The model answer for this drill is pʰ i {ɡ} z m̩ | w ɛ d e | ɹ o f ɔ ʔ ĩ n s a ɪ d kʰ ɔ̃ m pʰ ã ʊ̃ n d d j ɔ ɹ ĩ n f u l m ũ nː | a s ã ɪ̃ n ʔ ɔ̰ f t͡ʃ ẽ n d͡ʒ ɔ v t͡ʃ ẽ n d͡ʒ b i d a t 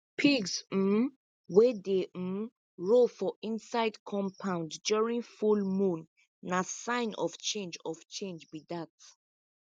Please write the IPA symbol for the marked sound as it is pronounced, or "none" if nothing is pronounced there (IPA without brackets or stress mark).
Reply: ɡ